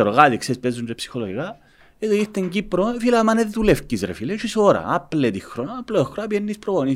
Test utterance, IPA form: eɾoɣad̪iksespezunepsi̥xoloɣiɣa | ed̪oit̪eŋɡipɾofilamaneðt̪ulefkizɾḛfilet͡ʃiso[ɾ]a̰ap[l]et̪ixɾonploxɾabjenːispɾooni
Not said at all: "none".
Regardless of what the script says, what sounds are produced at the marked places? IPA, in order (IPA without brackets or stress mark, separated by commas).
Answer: ɾ, l